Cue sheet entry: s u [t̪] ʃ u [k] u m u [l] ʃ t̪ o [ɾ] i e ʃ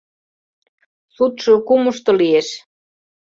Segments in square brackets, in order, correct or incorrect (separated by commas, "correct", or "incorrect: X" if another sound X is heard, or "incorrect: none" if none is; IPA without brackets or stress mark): correct, correct, incorrect: none, incorrect: l